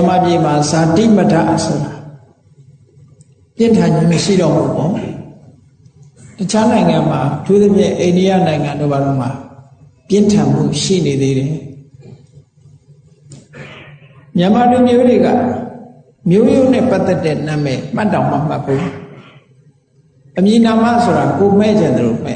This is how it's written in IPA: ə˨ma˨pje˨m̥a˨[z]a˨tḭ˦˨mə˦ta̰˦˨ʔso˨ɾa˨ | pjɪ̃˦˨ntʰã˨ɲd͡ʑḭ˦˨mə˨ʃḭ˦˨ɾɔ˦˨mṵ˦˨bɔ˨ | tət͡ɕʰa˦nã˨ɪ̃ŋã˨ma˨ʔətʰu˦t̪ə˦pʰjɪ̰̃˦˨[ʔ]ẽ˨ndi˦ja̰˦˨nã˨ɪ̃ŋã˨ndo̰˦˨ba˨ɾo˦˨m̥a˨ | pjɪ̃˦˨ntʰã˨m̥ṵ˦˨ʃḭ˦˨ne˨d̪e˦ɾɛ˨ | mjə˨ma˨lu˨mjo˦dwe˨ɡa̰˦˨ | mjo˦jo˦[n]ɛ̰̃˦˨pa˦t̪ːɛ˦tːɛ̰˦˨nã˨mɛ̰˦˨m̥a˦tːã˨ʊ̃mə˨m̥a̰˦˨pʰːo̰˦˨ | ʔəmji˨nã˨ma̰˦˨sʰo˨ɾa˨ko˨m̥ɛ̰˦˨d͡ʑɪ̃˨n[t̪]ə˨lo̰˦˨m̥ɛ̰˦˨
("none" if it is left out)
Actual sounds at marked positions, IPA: z, ʔ, n, d̪

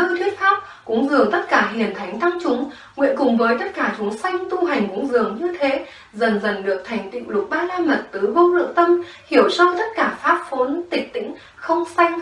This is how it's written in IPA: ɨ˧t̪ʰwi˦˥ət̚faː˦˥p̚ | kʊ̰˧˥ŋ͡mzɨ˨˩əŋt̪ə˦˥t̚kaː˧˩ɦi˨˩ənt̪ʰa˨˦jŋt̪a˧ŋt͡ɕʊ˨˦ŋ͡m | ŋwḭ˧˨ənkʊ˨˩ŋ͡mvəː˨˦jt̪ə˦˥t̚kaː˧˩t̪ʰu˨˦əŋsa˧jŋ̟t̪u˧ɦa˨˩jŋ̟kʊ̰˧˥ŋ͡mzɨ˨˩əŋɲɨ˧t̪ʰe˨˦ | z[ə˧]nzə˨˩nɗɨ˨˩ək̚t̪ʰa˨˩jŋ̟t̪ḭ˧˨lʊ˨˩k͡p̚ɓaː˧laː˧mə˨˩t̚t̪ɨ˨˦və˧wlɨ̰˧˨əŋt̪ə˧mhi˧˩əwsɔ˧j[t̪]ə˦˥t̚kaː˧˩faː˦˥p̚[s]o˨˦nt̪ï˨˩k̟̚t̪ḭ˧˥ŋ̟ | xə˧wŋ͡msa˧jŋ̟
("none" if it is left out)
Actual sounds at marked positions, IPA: ə˨˩, t̪, f

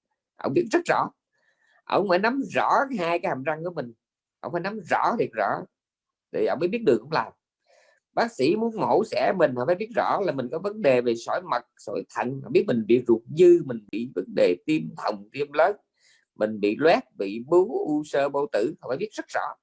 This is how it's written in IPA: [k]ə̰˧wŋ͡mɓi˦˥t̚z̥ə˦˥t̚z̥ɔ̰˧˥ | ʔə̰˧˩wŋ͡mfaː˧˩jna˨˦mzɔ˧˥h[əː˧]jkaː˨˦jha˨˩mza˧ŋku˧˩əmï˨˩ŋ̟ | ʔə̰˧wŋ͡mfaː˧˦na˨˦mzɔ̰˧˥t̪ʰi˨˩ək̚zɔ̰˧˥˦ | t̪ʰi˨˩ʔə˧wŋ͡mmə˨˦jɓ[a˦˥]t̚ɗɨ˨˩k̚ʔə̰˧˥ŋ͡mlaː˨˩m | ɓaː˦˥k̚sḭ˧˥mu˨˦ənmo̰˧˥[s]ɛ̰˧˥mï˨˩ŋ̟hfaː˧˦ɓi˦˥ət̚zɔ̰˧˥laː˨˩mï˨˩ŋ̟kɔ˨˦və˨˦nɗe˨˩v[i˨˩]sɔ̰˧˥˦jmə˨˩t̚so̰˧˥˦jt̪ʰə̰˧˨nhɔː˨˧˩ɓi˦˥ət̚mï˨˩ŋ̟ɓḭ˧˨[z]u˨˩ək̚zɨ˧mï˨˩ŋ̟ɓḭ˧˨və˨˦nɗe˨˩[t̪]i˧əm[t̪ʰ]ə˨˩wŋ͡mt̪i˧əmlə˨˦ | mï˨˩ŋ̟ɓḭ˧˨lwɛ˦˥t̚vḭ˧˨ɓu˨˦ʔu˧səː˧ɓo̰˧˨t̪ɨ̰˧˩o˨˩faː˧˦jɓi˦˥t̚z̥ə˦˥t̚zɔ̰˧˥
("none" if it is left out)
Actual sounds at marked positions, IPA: ʔ, aː˧, i˦˥, s, e˨˩, z, t̪, t̪ʰ

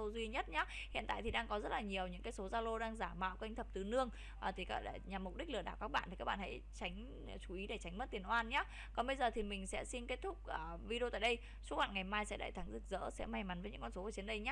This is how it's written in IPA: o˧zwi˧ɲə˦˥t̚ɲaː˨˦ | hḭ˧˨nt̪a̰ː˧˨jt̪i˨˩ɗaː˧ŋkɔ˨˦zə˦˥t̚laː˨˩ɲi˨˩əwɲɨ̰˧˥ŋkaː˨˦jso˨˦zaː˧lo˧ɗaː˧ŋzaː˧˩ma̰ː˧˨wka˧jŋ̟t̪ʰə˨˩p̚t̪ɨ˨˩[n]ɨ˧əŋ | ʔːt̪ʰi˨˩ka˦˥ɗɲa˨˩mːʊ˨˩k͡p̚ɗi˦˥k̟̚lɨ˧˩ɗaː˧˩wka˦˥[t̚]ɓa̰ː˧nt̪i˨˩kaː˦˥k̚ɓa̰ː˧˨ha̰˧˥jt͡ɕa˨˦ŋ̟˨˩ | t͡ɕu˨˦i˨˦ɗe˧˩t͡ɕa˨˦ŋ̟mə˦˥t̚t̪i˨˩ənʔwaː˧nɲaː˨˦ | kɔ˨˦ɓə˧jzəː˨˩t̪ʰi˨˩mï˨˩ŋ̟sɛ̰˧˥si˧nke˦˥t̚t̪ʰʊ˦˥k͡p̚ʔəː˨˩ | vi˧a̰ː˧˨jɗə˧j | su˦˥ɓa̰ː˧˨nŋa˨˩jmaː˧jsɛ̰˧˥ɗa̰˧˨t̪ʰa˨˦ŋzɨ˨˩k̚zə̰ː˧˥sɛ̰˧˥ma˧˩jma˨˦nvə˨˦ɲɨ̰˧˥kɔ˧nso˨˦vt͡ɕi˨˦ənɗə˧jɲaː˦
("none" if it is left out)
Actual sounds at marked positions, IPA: n, k̚

